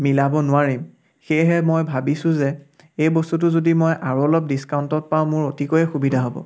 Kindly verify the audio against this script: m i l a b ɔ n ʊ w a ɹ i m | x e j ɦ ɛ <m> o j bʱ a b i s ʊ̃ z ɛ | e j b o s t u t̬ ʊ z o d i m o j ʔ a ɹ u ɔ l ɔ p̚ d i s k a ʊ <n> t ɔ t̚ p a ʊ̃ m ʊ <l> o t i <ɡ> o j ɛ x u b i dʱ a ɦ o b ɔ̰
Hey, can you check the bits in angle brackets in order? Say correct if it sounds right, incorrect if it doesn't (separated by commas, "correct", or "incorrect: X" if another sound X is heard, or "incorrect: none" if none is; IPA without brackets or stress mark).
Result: correct, correct, incorrect: ɹ, incorrect: k